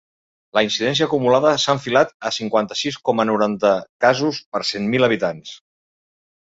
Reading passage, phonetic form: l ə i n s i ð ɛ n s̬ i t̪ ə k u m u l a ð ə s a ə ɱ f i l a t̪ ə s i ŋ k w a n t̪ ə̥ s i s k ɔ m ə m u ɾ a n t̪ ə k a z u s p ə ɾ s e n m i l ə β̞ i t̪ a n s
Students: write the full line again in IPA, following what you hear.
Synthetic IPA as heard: l ə i n s i ð ɛ n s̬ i ə k u m u l a ð ə s a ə ɱ f i l a t̪ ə s i ŋ k w a n t̪ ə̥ s i s k ɔ m ə n u ɾ a n t̪ ə k a z u s p ə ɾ s e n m i l ə β̞ i t̪ a n s